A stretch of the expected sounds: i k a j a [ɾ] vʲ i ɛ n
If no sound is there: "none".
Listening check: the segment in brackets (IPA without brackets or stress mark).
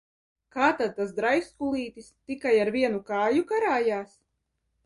ɾ